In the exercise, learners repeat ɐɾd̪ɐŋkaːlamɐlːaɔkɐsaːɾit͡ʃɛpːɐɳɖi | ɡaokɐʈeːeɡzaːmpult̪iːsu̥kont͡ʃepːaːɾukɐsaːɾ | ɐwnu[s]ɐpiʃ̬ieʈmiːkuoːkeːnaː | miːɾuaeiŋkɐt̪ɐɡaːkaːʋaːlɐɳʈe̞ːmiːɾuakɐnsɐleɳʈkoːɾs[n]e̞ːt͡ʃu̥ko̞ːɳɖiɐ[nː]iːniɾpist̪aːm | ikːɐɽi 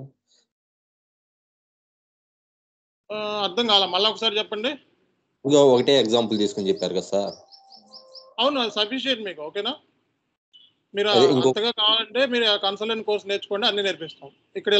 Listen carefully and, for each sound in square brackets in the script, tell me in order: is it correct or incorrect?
correct, correct, correct

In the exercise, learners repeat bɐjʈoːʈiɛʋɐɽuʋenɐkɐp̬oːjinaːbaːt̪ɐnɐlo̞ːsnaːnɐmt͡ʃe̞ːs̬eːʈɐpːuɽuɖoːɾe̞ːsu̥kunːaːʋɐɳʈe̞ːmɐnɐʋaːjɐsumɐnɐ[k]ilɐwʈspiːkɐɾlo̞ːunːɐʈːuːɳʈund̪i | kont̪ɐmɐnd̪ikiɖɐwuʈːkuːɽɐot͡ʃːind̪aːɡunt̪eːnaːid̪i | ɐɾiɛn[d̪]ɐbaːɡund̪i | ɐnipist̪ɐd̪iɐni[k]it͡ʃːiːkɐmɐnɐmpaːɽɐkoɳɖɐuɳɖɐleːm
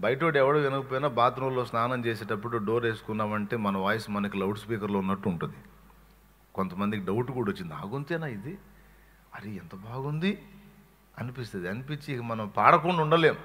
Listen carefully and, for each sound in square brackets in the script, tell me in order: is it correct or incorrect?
correct, incorrect, incorrect

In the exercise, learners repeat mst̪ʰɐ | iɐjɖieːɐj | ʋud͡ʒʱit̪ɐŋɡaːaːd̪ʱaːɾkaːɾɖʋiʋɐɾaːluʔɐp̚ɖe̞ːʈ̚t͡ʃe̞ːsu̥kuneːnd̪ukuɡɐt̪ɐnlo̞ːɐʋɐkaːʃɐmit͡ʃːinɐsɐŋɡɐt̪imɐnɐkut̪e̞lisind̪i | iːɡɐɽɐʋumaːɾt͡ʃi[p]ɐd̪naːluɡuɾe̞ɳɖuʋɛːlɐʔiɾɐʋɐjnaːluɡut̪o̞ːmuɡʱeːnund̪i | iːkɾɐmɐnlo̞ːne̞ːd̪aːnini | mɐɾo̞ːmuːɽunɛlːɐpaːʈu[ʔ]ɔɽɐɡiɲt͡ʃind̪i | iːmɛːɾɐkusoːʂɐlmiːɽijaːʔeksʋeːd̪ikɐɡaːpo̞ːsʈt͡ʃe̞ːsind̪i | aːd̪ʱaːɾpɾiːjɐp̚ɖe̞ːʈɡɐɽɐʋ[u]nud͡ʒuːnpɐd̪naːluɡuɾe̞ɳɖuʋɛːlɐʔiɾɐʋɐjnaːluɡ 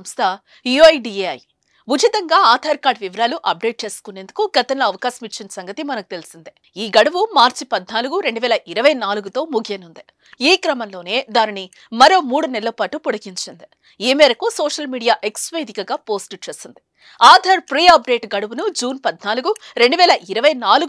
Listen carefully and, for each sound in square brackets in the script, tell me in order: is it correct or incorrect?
correct, incorrect, correct

